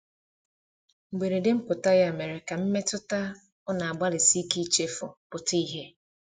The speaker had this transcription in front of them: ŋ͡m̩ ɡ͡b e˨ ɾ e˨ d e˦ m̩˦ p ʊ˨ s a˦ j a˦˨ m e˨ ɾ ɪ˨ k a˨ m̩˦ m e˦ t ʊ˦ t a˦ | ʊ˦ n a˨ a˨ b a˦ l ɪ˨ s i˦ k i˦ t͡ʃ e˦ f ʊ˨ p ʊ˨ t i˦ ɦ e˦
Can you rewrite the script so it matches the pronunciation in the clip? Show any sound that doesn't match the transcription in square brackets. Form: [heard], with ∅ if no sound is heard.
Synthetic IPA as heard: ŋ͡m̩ ɡ͡b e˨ ɾ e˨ d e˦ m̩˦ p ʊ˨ [t] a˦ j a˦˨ m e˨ ɾ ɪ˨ k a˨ m̩˦ m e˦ t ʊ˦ t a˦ | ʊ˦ n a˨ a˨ [ɡ͡b] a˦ l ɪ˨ s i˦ k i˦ t͡ʃ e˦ f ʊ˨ p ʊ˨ t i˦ ɦ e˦